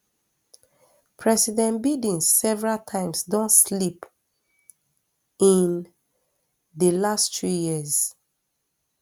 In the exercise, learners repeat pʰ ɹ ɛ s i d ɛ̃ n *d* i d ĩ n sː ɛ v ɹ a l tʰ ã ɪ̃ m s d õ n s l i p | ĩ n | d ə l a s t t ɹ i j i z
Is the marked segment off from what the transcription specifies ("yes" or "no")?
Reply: yes